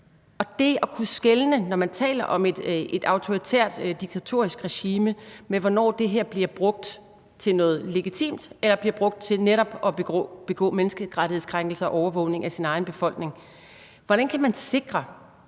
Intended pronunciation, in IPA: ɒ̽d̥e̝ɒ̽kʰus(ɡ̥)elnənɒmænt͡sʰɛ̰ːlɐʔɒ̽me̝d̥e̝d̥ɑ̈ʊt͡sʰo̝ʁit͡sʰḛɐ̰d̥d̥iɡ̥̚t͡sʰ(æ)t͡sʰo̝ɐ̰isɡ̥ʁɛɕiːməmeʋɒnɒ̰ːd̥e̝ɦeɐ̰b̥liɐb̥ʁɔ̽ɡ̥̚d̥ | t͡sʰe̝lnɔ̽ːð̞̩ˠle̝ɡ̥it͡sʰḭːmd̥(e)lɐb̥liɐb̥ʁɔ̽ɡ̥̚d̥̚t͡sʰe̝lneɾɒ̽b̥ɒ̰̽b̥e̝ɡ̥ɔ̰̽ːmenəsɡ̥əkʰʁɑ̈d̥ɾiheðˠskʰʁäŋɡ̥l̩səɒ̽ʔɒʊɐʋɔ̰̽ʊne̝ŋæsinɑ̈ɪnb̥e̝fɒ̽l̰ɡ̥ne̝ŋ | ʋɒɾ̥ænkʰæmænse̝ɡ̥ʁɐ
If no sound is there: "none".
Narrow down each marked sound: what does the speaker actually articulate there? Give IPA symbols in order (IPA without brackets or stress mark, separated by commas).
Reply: ɡ̥, æ, e